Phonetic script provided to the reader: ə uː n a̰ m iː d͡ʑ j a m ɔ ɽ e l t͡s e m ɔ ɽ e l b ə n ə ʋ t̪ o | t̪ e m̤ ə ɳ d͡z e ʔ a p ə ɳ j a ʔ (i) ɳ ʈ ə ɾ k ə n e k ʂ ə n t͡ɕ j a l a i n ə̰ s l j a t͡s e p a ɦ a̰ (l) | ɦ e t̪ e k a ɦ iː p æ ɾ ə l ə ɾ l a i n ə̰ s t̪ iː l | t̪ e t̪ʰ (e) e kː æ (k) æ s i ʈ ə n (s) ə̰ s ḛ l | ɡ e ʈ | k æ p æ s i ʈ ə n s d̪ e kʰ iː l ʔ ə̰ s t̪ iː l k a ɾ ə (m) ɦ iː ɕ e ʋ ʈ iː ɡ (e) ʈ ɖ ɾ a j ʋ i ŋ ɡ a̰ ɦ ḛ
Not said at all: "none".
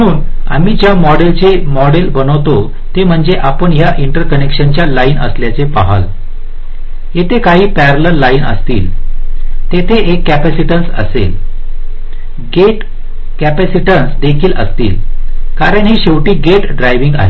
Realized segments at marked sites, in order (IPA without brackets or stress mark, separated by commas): i, l, e, p, s, ɳ, e